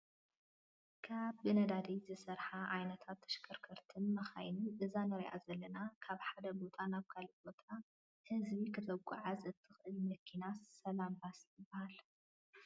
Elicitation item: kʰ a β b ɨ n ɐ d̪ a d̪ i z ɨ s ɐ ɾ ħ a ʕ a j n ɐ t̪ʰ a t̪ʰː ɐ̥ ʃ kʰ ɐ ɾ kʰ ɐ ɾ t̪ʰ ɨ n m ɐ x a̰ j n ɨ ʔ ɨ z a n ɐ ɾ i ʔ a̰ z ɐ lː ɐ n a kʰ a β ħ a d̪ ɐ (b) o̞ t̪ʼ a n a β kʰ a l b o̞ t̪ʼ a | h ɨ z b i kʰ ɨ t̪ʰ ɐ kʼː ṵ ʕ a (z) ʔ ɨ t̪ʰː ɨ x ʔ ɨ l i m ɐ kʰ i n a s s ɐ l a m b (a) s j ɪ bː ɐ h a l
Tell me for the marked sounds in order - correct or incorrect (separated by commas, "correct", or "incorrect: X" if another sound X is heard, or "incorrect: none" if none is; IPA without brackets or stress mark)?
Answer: correct, correct, correct